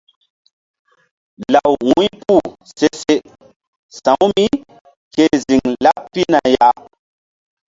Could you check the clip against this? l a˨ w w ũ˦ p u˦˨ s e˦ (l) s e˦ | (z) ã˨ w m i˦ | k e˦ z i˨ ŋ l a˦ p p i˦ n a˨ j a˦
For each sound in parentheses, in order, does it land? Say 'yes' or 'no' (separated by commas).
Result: no, no